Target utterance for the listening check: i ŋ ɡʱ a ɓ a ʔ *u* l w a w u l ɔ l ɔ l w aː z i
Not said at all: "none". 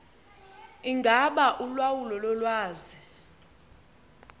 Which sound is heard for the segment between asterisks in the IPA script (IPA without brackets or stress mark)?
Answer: u